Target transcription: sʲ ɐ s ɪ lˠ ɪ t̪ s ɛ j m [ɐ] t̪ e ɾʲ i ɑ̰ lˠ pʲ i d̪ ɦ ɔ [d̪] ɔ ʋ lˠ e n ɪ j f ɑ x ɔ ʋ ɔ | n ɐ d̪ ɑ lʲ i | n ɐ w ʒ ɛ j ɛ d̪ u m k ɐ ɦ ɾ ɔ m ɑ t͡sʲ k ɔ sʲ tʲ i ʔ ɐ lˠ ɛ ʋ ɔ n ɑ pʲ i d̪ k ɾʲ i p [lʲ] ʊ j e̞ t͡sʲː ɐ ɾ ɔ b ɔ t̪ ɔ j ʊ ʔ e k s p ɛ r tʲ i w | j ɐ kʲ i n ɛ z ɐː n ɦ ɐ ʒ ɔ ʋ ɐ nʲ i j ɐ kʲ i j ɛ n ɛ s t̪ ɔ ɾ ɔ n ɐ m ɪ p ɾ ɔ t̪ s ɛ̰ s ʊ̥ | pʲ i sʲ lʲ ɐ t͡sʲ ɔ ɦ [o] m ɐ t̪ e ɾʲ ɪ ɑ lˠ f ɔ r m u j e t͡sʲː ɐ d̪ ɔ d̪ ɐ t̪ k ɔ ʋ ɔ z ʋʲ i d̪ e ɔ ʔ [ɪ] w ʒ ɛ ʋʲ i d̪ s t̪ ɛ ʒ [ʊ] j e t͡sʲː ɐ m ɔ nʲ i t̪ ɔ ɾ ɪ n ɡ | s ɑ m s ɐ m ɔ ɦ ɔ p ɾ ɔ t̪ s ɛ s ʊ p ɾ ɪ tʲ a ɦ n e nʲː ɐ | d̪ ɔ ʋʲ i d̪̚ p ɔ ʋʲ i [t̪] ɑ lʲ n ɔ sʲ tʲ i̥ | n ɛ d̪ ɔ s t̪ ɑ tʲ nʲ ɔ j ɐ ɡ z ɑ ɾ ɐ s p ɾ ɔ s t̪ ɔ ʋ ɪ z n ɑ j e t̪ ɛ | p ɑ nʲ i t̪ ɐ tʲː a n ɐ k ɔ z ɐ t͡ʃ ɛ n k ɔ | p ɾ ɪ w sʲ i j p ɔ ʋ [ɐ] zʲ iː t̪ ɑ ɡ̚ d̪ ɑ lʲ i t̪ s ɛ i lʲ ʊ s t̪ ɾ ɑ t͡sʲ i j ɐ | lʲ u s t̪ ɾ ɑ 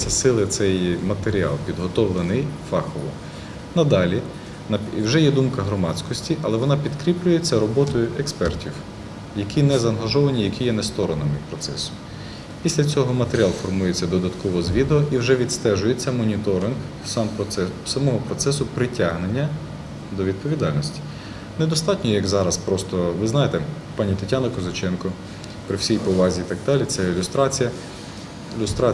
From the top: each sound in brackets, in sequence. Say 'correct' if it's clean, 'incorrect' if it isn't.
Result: correct, incorrect: t̪, correct, incorrect: ɔ, incorrect: i, correct, incorrect: d̪, incorrect: ɑ

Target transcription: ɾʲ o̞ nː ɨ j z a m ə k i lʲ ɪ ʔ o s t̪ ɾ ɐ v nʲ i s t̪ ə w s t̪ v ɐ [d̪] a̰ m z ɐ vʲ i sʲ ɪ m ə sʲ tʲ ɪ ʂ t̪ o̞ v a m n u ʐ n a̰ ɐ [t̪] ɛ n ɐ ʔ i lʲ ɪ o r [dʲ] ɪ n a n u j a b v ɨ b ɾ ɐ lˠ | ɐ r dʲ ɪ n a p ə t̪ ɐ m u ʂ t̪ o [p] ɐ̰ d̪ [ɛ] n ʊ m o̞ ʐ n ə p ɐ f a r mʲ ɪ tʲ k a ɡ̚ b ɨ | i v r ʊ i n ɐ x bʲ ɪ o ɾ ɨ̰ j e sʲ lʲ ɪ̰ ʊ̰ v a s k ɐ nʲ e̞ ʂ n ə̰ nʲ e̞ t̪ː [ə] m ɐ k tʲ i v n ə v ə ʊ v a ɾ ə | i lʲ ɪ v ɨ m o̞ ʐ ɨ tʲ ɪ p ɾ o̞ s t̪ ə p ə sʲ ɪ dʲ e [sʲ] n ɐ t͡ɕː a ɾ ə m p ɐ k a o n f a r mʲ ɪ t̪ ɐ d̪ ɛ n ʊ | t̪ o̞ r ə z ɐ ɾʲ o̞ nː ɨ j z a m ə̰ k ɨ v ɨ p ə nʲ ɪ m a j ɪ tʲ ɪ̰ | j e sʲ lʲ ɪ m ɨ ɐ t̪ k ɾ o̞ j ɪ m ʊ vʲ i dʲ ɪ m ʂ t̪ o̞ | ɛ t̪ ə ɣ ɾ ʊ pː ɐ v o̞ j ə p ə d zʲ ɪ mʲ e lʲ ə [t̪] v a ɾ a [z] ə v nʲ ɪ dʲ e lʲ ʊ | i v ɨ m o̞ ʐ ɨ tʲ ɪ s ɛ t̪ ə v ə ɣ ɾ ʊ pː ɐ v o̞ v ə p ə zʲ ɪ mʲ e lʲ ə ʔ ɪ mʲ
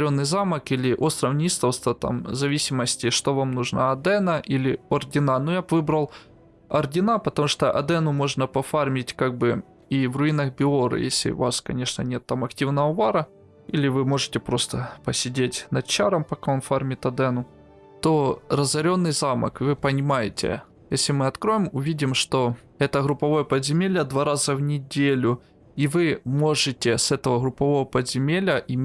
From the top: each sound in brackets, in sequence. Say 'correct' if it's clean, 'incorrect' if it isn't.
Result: incorrect: t̪, incorrect: d̪, correct, incorrect: ʔ, correct, incorrect: a, incorrect: tʲ, incorrect: d̪, correct

